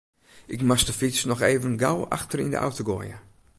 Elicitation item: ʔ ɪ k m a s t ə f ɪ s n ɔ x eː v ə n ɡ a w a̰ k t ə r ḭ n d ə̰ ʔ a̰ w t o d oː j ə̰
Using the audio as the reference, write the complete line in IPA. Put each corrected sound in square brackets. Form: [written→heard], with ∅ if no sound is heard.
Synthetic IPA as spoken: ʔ ɪ k m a s t ə f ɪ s n ɔ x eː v ə n ɡ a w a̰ [k→x] t ə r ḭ n d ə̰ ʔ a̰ w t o [d→ɡ] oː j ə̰

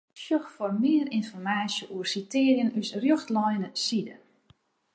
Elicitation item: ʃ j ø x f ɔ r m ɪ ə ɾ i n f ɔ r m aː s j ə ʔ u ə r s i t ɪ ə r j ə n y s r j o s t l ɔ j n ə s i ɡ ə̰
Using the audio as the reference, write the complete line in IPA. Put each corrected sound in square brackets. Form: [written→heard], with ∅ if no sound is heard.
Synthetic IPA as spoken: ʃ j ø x f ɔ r m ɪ ə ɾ i n f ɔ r m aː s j ə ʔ u ə r s i t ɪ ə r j ə n y s r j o [s→x] t l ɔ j n ə s i [ɡ→d] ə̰

